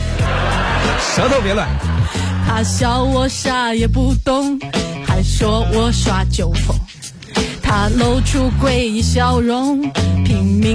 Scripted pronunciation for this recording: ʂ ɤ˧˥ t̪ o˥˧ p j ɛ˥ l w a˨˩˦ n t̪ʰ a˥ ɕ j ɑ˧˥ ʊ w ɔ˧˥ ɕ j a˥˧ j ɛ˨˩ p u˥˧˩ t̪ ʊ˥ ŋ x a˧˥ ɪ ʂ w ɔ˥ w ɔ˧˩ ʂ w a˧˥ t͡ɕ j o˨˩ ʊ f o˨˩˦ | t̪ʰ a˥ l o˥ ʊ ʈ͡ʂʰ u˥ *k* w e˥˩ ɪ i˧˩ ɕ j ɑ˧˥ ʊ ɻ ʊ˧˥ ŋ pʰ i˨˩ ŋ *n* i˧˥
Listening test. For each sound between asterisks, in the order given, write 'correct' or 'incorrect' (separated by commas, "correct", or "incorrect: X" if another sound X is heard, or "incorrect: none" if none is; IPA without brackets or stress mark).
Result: correct, incorrect: m